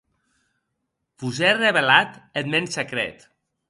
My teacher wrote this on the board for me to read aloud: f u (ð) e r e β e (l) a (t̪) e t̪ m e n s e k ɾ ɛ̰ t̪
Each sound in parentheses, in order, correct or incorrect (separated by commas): incorrect, correct, correct